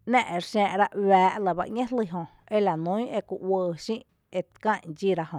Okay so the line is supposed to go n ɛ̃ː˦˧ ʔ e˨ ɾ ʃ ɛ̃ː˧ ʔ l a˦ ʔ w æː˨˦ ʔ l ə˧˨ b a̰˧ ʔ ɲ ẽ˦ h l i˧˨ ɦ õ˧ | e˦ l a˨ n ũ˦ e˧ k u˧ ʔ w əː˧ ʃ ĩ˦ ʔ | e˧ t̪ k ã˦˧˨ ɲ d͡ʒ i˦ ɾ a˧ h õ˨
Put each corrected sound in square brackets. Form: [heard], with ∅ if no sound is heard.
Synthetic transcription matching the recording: n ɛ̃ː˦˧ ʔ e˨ ɾ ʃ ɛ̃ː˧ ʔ [ɾ] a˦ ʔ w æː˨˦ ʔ l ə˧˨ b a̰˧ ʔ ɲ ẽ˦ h l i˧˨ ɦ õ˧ | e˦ l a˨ n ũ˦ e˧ k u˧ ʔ w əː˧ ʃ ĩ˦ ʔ | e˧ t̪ k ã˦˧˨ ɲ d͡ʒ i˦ ɾ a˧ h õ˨